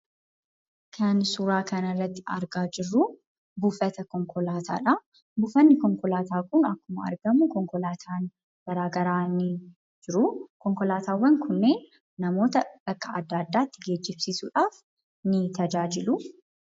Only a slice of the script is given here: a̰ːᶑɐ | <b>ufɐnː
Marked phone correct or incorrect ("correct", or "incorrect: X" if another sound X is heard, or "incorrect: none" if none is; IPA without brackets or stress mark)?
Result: correct